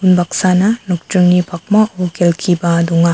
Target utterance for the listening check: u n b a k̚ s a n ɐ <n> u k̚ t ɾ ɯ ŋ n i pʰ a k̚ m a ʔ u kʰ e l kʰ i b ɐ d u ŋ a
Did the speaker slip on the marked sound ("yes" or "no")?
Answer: no